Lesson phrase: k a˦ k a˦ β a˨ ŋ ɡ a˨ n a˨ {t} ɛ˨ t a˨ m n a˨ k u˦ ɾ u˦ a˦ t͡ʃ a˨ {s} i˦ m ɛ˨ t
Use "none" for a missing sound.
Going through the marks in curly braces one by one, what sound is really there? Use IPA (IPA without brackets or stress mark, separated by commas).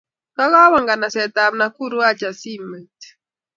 s, s